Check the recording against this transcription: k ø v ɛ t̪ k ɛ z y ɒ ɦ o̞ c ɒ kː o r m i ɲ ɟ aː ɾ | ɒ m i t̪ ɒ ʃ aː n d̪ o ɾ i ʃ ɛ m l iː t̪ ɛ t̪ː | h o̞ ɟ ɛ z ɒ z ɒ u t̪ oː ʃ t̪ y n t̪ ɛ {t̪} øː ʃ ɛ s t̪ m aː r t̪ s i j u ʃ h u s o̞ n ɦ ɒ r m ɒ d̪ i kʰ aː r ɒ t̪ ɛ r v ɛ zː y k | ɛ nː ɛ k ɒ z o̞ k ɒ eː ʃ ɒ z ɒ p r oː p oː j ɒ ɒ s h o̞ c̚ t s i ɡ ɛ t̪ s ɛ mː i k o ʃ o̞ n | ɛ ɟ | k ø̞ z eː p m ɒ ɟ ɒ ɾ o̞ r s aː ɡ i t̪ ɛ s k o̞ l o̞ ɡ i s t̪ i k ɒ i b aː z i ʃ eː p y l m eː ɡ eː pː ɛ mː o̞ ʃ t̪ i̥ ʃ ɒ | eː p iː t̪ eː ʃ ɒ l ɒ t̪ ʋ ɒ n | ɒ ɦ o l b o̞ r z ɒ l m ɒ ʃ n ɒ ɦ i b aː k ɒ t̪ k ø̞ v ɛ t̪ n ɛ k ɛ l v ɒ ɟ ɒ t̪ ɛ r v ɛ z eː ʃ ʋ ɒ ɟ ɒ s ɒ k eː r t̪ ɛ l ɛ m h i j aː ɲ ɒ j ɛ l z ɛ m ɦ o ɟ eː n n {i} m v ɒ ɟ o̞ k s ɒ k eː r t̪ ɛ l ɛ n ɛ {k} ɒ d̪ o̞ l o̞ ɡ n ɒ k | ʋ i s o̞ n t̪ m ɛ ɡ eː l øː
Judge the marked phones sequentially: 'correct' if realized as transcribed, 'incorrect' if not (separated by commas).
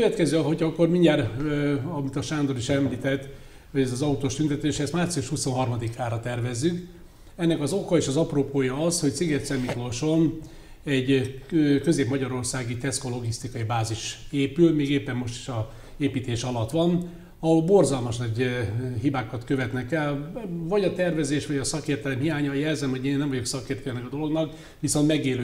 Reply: correct, incorrect, correct